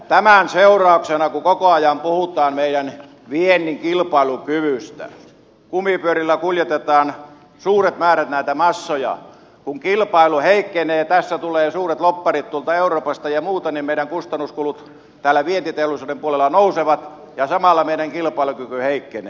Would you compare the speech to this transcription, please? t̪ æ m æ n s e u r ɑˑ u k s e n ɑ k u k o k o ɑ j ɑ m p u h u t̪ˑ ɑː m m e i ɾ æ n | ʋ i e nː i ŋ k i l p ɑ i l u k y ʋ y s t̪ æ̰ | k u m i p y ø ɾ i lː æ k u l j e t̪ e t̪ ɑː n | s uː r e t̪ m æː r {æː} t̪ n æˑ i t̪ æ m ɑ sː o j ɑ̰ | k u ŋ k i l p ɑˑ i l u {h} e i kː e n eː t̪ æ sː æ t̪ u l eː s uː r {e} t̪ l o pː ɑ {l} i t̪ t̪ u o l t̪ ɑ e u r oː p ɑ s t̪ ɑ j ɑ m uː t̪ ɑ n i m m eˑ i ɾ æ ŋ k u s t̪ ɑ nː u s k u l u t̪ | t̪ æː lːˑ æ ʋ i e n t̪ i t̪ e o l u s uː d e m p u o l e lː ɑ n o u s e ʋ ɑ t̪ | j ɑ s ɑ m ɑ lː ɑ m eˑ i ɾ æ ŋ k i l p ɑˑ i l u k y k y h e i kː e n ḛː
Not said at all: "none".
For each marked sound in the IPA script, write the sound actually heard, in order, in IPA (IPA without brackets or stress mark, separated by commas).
æ, h, e, r